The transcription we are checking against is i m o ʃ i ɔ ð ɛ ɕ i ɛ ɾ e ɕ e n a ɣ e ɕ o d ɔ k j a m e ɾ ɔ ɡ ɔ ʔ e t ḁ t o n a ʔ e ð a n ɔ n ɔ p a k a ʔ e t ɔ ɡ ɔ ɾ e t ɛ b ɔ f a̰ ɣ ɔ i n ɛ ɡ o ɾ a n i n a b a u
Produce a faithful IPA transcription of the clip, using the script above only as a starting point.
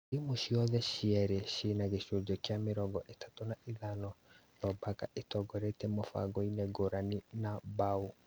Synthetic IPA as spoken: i m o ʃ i ɔ ð ɛ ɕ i ɛ ɾ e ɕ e n a ɣ e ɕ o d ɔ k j a m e ɾ ɔ ɡ ɔ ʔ e t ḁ t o n a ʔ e ð a n ɔ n ɔ b a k a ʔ e t ɔ ɡ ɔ ɾ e t ɛ m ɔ f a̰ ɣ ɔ i n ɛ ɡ o ɾ a n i n a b a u